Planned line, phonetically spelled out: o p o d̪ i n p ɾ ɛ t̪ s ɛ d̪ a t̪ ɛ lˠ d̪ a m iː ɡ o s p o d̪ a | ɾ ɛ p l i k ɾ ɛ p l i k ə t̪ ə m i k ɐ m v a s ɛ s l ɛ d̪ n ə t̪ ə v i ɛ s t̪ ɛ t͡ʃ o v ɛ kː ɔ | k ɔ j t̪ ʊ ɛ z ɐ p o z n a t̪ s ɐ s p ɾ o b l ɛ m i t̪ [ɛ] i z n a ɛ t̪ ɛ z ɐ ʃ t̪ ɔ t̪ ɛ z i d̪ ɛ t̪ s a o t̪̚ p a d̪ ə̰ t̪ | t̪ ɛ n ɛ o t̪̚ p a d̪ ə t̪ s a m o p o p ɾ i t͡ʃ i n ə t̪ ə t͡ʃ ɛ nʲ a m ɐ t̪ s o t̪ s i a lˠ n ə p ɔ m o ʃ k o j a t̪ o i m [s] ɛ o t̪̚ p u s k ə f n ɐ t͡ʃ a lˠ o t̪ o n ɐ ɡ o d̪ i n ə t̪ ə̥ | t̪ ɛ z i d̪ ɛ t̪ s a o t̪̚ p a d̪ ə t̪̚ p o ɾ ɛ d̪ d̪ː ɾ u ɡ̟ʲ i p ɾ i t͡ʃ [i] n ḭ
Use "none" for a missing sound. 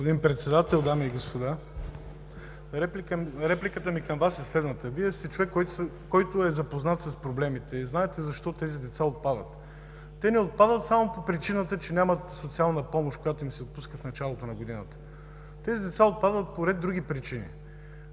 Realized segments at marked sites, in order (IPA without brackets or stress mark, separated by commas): ɛ, s, i